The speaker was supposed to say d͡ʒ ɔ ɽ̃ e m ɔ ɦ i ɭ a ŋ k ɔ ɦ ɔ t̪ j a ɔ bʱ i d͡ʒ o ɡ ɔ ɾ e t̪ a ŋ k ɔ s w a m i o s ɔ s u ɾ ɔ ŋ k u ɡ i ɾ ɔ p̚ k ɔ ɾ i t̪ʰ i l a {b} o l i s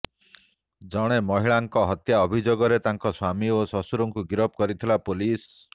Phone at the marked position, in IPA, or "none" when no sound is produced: p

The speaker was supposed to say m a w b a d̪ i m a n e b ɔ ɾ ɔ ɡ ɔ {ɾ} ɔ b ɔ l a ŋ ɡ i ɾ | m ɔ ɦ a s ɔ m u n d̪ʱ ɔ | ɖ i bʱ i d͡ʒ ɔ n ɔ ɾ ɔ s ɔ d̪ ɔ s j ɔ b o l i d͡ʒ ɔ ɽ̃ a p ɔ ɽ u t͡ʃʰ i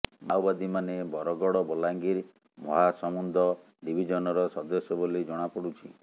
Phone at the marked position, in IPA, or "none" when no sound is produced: ɽ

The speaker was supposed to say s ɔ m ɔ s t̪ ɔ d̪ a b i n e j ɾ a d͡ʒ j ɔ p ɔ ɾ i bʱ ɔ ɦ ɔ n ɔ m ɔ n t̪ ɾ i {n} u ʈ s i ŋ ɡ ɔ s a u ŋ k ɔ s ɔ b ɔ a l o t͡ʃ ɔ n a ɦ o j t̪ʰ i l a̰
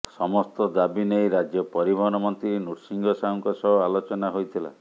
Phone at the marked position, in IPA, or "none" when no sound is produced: n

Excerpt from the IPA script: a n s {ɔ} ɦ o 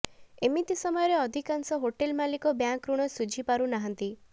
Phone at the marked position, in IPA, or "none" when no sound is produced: ɔ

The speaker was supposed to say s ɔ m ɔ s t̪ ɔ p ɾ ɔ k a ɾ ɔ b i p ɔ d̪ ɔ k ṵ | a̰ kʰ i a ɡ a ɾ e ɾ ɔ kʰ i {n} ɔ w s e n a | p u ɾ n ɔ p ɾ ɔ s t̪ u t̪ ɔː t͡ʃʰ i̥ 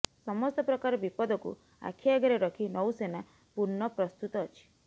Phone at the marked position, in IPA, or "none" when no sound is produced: n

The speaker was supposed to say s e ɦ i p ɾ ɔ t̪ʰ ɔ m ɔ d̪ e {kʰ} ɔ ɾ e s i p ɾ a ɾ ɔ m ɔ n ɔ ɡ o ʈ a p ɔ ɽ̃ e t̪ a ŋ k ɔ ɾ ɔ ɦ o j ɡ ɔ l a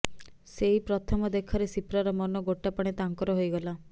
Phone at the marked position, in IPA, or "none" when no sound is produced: kʰ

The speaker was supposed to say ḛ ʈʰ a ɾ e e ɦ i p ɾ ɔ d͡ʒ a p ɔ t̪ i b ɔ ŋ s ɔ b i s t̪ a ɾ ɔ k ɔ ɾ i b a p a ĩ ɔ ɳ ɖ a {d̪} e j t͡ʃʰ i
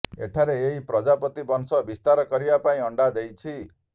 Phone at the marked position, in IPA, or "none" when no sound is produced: d̪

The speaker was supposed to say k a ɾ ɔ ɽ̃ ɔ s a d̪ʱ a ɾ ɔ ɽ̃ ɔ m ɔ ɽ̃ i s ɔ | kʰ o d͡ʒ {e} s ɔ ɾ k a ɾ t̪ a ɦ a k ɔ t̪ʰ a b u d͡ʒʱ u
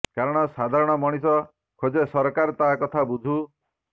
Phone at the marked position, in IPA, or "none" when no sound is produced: e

